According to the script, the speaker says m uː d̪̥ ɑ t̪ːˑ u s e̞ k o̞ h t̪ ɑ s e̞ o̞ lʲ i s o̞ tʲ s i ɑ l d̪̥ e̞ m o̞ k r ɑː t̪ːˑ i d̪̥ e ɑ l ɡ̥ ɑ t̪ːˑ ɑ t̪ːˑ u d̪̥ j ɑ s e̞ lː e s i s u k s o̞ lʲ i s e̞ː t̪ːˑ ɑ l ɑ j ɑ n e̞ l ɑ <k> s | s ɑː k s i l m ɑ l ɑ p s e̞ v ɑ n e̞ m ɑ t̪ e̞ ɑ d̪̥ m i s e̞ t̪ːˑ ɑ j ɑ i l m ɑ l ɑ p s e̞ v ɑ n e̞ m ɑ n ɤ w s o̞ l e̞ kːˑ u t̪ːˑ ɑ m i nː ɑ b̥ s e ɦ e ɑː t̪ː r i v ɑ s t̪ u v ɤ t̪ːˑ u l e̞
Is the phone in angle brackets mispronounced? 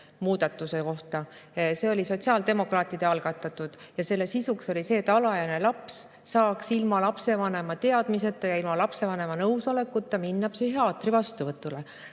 yes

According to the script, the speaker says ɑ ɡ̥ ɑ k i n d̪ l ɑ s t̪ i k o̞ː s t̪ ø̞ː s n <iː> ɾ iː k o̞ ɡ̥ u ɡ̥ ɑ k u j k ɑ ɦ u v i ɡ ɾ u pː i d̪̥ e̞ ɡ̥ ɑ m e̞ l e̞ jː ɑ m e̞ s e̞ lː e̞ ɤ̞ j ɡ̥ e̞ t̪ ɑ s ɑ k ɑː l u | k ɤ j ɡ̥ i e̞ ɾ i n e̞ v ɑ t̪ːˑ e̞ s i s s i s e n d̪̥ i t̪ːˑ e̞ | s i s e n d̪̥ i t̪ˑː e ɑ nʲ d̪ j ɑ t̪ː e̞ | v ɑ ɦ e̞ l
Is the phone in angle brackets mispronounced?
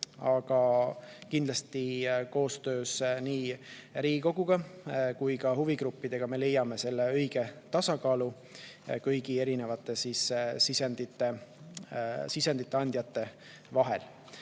no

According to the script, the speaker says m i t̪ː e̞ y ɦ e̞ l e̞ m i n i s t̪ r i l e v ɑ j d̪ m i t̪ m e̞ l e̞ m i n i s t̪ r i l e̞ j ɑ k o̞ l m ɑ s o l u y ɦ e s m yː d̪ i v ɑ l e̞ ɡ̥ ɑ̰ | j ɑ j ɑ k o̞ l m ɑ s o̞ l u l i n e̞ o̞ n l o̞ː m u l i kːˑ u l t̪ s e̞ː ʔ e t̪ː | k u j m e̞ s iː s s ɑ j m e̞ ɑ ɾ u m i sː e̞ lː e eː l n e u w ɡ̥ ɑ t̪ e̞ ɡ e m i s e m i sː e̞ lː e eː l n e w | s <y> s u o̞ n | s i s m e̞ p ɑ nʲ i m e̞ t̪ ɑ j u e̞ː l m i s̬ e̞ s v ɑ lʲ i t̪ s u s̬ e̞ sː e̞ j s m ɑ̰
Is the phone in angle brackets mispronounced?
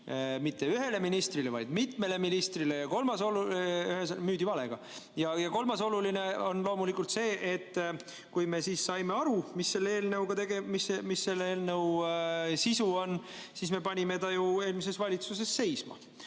yes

